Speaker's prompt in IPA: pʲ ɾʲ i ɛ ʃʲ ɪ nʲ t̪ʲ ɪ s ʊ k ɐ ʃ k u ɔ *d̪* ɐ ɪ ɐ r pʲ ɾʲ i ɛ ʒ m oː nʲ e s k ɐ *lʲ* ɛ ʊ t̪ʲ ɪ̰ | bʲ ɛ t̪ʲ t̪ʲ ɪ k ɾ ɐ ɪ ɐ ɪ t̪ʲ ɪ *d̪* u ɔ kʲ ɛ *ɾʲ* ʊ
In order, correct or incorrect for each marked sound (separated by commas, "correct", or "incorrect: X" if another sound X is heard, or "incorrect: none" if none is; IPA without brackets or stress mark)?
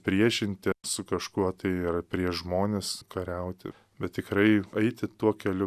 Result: incorrect: t̪, incorrect: ɾʲ, incorrect: t̪, incorrect: lʲ